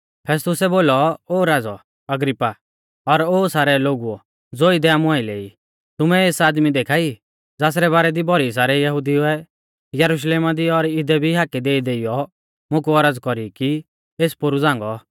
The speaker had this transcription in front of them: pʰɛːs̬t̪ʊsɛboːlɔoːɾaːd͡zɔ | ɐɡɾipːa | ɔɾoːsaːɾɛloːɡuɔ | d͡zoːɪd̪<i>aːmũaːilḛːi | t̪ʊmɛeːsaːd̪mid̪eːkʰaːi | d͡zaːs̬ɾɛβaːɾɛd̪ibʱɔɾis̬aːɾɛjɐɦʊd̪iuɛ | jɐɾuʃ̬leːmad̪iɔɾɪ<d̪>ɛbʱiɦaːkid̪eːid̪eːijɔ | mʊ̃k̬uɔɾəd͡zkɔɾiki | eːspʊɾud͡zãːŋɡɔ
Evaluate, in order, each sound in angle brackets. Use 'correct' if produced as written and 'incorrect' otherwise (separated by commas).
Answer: incorrect, correct